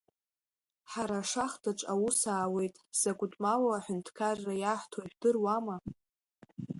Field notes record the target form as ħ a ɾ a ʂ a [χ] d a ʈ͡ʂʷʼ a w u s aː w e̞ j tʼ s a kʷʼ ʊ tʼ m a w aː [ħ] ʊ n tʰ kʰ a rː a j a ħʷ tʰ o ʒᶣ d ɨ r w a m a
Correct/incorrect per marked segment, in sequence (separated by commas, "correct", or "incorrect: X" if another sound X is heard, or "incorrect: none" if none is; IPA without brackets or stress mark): correct, correct